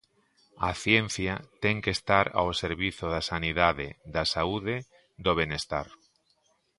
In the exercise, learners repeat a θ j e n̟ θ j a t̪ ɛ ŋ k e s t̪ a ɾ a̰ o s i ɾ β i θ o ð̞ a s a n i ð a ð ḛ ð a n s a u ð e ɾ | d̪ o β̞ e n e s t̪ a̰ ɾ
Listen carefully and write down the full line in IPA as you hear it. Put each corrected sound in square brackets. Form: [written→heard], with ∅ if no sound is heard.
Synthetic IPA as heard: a θ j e n̟ θ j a t̪ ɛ ŋ k e s t̪ a ɾ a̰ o s [i→e] ɾ β i θ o ð̞ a s a n i ð a ð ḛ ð a [n→∅] s a u ð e [ɾ→∅] | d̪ o β̞ e n e s t̪ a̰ ɾ

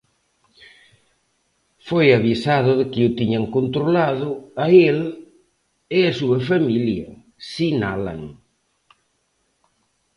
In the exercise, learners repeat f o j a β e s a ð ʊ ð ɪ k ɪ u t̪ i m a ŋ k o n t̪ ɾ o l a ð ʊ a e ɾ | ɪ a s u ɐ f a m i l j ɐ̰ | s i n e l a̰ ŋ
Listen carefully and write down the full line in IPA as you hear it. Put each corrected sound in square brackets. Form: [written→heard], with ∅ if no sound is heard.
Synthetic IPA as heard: f o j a β [e→i] s a ð ʊ ð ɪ k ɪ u t̪ i [m→ɲ] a ŋ k o n t̪ ɾ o l a ð ʊ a e [ɾ→l] | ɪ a s u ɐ f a m i l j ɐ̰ | s i n [e→a] l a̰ ŋ

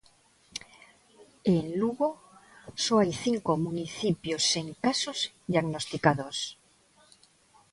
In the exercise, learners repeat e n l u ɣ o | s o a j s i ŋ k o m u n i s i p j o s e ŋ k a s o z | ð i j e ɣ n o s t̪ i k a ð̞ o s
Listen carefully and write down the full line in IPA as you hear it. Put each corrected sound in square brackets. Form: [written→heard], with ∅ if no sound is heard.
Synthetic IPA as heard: e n l u ɣ o | s o a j [s→θ] i ŋ k o m u n i [s→θ] i p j o s e ŋ k a s o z | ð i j [e→a] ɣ n o s t̪ i k a ð̞ o s

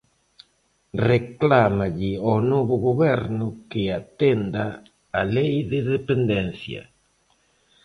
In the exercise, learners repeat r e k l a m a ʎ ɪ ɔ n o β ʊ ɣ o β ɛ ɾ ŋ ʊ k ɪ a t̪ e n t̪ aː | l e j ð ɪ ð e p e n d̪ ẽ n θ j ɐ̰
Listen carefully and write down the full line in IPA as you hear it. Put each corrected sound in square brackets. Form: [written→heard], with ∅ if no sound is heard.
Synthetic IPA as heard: r e k l a m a ʎ ɪ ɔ n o β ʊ ɣ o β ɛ ɾ [ŋ→n] ʊ k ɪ a t̪ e n [t̪→d̪] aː | l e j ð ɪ ð e p e n d̪ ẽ n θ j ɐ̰

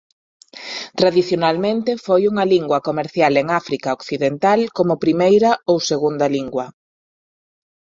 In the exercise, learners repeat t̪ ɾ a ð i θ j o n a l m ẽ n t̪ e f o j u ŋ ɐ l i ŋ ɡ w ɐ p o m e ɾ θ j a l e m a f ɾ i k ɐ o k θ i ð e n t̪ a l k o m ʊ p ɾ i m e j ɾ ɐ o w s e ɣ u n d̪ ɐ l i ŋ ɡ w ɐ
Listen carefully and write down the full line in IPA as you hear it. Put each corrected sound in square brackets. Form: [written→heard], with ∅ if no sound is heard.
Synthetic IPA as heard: t̪ ɾ a ð i θ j o n a l m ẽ n t̪ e f o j u ŋ ɐ l i ŋ ɡ w ɐ [p→k] o m e ɾ θ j a l e [m→ŋ] a f ɾ i k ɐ o k θ i ð e n t̪ a l k o m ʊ p ɾ i m e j ɾ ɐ o w s e ɣ u n d̪ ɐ l i ŋ ɡ w ɐ

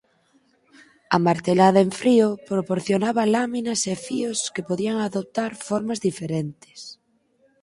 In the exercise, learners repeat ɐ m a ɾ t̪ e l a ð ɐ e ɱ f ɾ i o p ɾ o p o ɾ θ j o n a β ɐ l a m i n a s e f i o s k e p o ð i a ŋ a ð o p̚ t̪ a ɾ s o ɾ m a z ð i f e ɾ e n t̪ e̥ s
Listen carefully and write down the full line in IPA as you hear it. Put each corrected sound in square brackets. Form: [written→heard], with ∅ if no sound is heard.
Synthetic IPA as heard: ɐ m a ɾ t̪ e l a ð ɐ e ɱ f ɾ i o p ɾ o p o ɾ θ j o n a β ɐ l a m i n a s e f i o s k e p o ð i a ŋ a ð o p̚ t̪ a ɾ [s→f] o ɾ m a z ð i f e ɾ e n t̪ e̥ s

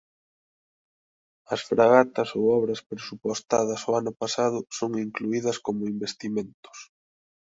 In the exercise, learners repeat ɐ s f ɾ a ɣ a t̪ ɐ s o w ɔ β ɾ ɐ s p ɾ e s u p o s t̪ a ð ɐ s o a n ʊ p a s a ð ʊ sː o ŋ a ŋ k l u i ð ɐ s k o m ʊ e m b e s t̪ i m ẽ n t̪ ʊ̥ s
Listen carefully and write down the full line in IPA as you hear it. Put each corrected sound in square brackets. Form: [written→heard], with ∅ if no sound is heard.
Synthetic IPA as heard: ɐ s f ɾ a ɣ a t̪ ɐ s o w ɔ β ɾ ɐ s p ɾ e s u p o s t̪ a ð ɐ s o a n ʊ p a s a ð ʊ [sː→s] o ŋ [a→i] ŋ k l u i ð ɐ s k o m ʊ [e→i] m b e s t̪ i m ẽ n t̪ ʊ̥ s

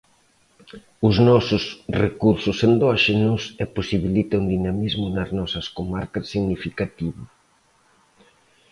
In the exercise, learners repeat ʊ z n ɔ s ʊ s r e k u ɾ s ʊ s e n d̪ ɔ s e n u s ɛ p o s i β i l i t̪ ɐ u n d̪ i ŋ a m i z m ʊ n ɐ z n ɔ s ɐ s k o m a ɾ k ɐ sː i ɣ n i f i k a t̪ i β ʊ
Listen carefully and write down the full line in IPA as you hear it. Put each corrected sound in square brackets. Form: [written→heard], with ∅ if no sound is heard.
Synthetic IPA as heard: ʊ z n ɔ s ʊ s r e k u ɾ s ʊ s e n d̪ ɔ [s→ʃ] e n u s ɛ p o s i β i l i t̪ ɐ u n d̪ i [ŋ→n] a m i z m ʊ n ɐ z n ɔ s ɐ s k o m a ɾ k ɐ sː i ɣ n i f i k a t̪ i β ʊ

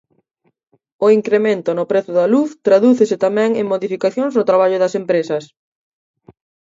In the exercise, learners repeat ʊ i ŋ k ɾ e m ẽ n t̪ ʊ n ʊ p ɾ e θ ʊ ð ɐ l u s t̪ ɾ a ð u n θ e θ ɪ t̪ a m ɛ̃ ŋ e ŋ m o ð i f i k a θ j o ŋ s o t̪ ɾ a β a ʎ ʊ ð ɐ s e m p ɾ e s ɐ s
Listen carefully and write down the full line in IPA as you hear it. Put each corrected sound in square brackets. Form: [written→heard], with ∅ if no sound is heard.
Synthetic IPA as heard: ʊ i ŋ k ɾ e m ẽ n t̪ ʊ n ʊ p ɾ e θ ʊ ð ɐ l u [s→θ] t̪ ɾ a ð u [n→∅] θ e [θ→s] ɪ t̪ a m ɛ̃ ŋ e ŋ m o ð i f i k a θ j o ŋ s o t̪ ɾ a β a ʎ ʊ ð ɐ s e m p ɾ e s ɐ s

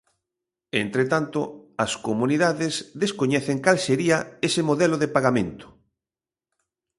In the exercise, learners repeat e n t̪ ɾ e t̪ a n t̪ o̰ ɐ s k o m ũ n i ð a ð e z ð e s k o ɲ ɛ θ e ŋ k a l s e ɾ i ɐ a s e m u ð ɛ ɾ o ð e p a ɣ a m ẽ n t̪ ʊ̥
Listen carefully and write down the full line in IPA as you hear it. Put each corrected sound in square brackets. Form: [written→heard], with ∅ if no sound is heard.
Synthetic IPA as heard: e n t̪ ɾ e t̪ a n t̪ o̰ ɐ s k o m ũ n i ð a ð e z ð e s k o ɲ ɛ θ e ŋ k a l s e ɾ i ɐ [a→e] s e m [u→o] ð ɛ [ɾ→l] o ð e p a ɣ a m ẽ n t̪ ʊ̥

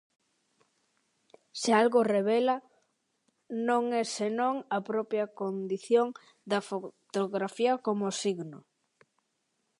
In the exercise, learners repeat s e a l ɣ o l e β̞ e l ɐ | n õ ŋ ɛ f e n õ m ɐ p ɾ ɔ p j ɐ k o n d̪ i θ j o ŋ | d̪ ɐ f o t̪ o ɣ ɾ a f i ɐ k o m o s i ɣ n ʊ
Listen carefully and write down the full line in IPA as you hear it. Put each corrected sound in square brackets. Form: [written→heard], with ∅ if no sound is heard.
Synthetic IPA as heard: s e a l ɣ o [l→r] e β̞ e l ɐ | n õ ŋ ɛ [f→s] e n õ [m→ŋ] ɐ p ɾ ɔ p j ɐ k o n d̪ i θ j o ŋ | d̪ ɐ f o t̪ o ɣ ɾ a f i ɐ k o m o s i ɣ n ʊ

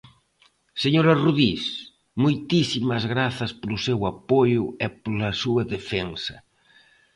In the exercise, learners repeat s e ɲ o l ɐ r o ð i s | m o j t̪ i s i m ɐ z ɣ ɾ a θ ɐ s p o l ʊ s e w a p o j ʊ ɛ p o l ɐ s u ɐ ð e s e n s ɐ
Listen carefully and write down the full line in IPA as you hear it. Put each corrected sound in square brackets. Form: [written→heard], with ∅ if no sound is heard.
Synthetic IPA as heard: s e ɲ o [l→ɾ] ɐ r [o→u] ð i s | m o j t̪ i s i m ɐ z ɣ ɾ a θ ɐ s p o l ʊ s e w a p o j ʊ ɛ p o l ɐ s u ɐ ð e [s→f] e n s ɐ

